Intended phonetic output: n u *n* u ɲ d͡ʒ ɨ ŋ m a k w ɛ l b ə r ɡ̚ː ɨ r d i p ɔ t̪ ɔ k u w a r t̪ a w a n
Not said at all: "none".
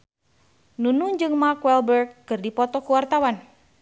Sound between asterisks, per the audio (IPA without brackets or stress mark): n